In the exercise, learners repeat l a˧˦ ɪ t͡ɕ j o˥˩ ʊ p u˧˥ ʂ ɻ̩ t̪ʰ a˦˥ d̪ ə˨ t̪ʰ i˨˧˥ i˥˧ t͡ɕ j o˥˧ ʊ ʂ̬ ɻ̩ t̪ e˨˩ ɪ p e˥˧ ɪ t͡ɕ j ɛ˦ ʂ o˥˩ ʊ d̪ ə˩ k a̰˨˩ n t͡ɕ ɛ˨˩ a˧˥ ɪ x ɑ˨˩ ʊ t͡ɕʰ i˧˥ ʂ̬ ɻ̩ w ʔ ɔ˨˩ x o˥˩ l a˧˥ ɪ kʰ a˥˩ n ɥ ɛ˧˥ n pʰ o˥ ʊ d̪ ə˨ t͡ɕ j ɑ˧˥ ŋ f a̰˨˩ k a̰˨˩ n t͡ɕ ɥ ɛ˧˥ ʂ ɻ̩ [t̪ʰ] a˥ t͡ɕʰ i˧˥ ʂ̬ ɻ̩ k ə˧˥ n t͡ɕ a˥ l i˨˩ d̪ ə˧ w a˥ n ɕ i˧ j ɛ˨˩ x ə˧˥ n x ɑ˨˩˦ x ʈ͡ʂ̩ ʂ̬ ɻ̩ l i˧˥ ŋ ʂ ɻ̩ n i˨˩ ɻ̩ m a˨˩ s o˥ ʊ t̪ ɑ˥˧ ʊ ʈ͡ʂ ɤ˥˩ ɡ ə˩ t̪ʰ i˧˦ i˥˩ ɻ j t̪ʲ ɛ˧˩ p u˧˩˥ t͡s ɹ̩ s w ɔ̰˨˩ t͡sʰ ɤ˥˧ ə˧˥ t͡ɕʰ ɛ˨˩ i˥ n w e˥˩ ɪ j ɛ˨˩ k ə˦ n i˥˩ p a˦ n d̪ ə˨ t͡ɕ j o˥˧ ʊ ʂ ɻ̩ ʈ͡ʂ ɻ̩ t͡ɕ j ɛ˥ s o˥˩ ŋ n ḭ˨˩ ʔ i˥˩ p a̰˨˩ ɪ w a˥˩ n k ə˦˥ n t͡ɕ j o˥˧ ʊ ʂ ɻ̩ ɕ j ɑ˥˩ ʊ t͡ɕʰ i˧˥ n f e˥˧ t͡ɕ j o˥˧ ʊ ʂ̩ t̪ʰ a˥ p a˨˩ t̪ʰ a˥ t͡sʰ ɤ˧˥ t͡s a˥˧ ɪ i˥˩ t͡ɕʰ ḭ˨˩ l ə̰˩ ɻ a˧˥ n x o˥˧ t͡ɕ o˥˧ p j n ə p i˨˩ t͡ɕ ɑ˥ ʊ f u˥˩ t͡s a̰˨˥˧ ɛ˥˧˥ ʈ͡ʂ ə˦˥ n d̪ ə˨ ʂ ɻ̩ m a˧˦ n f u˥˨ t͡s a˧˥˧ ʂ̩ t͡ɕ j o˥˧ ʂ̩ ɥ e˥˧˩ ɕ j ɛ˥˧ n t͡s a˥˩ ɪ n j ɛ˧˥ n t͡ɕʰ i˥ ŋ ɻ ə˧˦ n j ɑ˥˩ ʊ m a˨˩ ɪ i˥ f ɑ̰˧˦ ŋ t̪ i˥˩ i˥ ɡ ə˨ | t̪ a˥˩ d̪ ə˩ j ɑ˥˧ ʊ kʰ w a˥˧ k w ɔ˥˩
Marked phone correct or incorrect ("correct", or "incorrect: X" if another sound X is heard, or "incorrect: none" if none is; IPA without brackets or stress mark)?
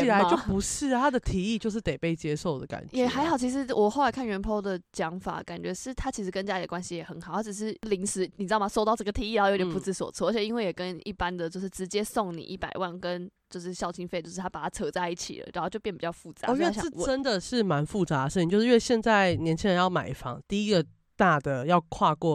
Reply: correct